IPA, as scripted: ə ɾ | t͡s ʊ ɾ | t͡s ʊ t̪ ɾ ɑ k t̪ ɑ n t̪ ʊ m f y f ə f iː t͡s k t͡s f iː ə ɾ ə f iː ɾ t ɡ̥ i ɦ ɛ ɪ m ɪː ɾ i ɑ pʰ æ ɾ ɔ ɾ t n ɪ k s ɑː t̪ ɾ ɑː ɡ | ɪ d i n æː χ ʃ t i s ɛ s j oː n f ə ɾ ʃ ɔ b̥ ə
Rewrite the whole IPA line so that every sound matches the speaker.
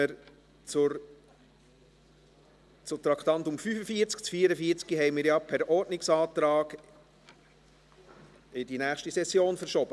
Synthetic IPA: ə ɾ | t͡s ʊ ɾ | t͡s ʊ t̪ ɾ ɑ k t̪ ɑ n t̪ ʊ m f y f ə f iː t͡s k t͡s f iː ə ɾ ə f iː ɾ t͡s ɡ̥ i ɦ ɛ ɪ m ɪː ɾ j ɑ pʰ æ ɾ ɔ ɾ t n ɪ k s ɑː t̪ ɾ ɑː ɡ | ɪ d i n æː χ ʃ t i s ɛ s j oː n f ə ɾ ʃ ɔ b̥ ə